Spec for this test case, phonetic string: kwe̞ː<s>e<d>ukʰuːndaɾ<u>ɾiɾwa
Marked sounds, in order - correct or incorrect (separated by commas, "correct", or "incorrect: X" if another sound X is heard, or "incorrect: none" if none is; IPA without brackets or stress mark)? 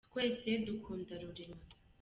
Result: correct, correct, correct